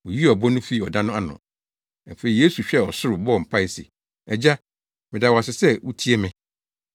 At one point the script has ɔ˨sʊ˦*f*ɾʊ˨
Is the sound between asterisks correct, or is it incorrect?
incorrect